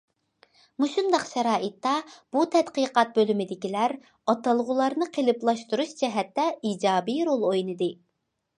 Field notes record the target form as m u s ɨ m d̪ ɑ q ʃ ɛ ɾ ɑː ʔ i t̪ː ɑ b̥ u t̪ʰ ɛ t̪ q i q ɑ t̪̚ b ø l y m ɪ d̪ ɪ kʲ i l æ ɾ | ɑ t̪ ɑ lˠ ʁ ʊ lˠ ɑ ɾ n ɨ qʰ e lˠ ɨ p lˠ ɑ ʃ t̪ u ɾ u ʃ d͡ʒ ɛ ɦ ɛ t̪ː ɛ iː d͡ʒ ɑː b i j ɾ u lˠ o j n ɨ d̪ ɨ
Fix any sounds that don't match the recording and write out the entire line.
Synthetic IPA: m u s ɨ m d̪ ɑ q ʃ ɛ ɾ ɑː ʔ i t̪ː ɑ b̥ u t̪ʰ ɛ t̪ q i q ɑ t̪̚ b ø l y m ɪ d̪ ɪ kʲ i l æ ɾ | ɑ t̪ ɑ lˠ ʁ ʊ lˠ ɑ ɾ n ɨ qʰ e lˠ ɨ p lˠ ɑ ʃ t̪ u ɾ u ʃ d͡ʒ ɛ ɦ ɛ t̪ː ɛ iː d͡ʒ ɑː b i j ɾ o lˠ o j n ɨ d̪ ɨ